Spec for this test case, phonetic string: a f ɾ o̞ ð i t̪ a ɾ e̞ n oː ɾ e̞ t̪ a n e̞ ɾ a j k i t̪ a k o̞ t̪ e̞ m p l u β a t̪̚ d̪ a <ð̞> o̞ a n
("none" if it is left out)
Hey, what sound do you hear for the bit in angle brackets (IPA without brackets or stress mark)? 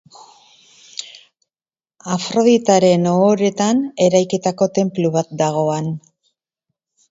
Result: ɣ̞